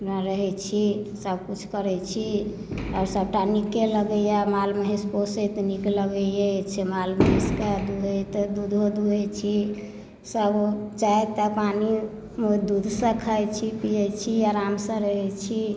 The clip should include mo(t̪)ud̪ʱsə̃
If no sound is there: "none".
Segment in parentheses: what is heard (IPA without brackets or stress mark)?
d̪